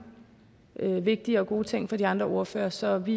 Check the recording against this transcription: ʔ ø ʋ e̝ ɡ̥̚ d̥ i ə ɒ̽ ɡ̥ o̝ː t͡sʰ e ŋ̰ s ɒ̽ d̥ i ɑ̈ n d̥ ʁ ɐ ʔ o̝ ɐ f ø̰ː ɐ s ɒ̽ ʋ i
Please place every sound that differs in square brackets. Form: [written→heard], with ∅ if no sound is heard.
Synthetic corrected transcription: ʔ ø ʋ e̝ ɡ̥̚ d̥ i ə ɒ̽ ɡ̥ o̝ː t͡sʰ e ŋ̰ [s→f] ɒ̽ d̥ i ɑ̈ n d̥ ʁ ɐ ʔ o̝ ɐ f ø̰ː ɐ s ɒ̽ ʋ i